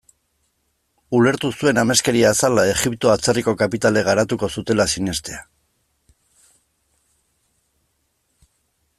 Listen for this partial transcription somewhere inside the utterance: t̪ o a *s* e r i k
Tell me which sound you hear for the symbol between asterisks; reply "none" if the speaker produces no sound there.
t͡s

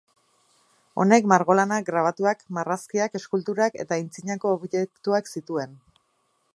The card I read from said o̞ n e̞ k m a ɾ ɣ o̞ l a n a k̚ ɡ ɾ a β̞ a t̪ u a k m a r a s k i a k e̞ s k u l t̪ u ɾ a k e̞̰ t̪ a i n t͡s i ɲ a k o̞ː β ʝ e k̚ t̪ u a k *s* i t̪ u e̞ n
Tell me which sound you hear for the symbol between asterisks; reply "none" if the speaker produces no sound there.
s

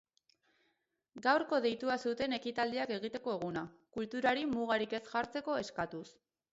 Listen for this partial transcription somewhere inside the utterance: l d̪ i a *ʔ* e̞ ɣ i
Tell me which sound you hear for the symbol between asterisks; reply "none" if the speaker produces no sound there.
k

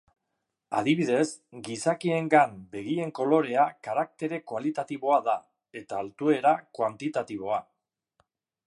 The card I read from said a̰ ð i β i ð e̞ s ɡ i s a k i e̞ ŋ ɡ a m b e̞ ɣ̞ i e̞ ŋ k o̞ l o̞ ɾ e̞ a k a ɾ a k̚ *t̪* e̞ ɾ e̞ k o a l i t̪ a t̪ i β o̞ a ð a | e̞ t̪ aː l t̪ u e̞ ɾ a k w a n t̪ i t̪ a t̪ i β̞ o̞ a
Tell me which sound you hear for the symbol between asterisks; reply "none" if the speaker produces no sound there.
t̪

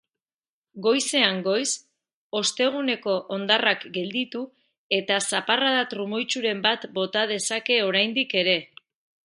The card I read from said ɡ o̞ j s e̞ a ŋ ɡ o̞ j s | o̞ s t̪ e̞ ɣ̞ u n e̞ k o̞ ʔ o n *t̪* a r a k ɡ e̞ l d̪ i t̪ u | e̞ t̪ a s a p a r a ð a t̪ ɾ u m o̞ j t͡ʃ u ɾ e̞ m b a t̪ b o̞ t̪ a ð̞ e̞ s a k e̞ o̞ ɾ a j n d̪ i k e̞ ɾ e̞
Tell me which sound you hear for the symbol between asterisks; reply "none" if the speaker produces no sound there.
d̪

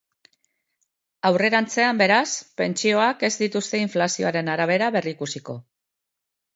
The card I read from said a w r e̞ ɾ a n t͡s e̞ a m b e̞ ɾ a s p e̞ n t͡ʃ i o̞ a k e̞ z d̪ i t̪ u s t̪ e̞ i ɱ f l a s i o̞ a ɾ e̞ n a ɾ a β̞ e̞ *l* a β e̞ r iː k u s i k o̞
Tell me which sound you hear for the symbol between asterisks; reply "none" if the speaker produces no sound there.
ɾ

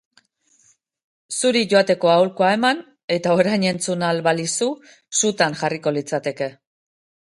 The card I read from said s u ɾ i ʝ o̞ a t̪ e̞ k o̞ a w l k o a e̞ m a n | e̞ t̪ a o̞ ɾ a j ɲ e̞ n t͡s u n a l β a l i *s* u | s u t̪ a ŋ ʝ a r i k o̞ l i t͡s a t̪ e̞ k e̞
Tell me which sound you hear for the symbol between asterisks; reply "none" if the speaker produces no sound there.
s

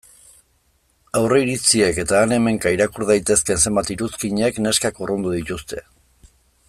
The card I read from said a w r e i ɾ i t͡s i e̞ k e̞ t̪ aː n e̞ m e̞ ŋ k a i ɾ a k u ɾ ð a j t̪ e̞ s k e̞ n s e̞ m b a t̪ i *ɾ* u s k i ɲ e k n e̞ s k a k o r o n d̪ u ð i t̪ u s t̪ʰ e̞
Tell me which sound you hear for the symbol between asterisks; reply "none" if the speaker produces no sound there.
ɾ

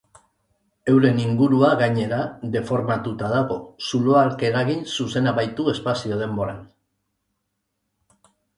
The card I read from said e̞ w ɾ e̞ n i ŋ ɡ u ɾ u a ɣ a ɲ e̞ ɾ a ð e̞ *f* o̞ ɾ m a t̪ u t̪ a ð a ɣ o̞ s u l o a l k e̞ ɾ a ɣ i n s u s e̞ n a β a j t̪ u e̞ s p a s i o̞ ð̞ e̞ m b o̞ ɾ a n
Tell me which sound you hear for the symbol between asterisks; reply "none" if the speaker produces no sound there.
f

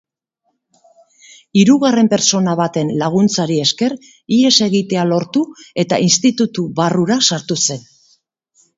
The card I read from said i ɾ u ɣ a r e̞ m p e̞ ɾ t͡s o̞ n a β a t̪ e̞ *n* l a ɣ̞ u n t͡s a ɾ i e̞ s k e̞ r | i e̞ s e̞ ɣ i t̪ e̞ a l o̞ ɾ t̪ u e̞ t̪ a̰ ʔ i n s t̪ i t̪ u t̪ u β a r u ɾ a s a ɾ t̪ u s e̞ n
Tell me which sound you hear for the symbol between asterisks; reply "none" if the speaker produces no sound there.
n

